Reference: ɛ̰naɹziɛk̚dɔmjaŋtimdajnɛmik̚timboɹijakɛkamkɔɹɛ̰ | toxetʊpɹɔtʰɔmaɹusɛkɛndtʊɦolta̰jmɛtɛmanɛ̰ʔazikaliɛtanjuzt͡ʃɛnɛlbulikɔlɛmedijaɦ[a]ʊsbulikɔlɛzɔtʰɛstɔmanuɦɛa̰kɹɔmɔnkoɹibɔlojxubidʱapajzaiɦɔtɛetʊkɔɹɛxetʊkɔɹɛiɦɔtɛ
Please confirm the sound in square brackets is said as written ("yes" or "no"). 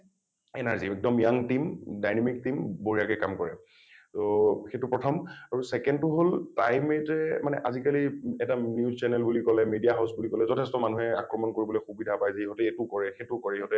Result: yes